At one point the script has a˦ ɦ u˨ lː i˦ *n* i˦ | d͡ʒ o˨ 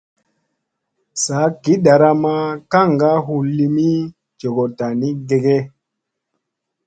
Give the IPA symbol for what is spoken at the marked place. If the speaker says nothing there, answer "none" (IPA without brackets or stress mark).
m